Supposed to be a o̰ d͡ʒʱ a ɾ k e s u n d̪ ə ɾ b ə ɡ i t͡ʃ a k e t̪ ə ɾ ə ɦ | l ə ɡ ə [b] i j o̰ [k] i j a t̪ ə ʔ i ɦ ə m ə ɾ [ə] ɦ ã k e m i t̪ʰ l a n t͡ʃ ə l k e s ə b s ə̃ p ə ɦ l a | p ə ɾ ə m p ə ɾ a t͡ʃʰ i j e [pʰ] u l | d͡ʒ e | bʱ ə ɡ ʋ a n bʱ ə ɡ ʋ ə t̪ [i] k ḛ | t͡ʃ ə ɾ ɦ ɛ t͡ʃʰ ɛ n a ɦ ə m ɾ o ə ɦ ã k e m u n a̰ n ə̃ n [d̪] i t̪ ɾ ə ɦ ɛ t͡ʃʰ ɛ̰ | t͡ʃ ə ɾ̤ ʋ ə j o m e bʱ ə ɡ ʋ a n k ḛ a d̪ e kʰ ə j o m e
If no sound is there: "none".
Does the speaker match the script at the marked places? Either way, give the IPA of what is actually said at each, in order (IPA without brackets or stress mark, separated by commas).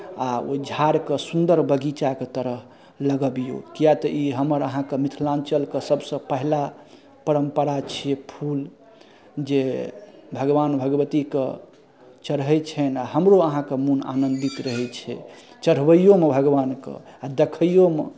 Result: b, k, ə, pʰ, i, d̪